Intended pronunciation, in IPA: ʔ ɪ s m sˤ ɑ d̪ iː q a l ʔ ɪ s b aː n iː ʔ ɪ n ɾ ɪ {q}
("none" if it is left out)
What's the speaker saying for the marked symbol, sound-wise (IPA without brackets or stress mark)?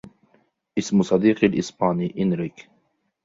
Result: k